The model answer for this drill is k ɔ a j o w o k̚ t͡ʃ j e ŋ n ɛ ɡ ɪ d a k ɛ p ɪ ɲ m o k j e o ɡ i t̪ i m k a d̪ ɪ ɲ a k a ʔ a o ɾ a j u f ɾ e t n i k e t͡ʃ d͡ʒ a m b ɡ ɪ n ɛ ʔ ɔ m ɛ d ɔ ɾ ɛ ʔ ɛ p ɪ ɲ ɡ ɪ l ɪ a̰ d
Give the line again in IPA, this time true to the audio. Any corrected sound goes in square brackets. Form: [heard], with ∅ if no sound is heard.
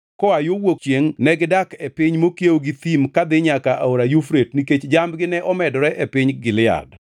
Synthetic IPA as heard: k ɔ a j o w o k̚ t͡ʃ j e ŋ n ɛ ɡ ɪ d a k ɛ p ɪ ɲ m o k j e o ɡ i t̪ i m k a d̪ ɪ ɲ a k a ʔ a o ɾ a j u f ɾ e t n i k e t͡ʃ d͡ʒ a m b ɡ ɪ n ɛ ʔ ɔ m ɛ d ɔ ɾ ɛ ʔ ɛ p ɪ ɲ ɡ ɪ l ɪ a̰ d

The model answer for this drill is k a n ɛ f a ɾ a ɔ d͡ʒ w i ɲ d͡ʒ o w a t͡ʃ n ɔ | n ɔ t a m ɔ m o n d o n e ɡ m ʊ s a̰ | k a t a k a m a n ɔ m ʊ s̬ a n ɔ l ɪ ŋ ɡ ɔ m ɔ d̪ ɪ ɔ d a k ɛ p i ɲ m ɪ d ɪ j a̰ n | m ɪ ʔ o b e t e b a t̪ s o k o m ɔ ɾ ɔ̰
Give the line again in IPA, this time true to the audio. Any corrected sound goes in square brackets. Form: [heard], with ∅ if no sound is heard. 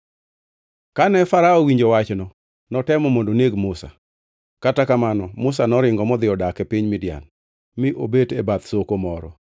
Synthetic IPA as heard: k a n ɛ f a ɾ a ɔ [∅] w i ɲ d͡ʒ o w a t͡ʃ n ɔ | n ɔ t [ɛ] m ɔ m o n d o n e ɡ m ʊ s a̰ | k a t a k a m a n ɔ m ʊ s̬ a n ɔ [ɾ] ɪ ŋ ɡ ɔ m ɔ d̪ ɪ ɔ d a k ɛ p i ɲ m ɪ d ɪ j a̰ n | m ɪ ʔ o b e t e b a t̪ s o k o m ɔ ɾ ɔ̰

